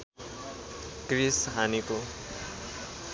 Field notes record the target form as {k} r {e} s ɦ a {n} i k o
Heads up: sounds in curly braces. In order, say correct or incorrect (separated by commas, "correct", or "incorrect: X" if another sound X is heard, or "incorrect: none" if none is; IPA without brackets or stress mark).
correct, incorrect: i, correct